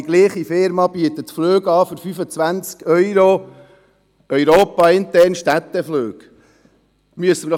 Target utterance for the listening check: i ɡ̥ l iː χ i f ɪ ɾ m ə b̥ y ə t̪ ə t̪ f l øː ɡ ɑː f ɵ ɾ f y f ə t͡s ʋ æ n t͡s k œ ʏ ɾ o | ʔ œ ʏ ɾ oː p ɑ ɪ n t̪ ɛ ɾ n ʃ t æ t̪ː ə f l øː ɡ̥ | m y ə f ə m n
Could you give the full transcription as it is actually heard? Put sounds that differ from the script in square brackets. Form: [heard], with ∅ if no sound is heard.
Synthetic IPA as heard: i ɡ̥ l iː χ i f ɪ ɾ m [ɑ] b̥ y ə t̪ ə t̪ f l øː ɡ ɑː f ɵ ɾ f y f ə t͡s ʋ æ n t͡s k œ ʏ ɾ o | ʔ œ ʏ ɾ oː p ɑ ɪ n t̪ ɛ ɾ n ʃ t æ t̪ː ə f l øː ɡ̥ | m y ə [s] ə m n